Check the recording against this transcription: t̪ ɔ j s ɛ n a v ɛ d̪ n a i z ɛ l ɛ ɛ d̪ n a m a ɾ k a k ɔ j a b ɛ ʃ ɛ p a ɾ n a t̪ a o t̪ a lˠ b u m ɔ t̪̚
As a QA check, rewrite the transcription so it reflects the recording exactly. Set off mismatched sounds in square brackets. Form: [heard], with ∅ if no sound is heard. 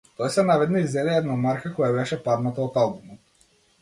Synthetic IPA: t̪ ɔ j s ɛ n a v ɛ d̪ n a i z ɛ l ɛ ɛ d̪ n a m a ɾ k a k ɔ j a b ɛ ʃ ɛ p a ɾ n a t̪ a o t̪ a lˠ b u m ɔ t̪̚